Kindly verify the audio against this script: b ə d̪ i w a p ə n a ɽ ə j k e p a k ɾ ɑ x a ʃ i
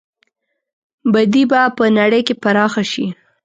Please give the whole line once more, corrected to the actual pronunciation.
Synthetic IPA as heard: b a d̪ i b a p ə n a ɽ ə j k e p a ɾ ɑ x a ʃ i